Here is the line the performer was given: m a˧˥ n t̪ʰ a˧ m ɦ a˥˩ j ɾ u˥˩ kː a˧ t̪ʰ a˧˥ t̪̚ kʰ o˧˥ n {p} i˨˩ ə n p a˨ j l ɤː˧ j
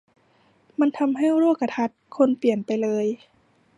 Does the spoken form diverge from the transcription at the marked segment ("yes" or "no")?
no